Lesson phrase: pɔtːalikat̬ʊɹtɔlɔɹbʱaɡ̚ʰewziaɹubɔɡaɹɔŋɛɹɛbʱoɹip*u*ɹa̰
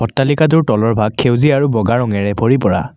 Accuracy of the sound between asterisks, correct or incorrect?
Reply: incorrect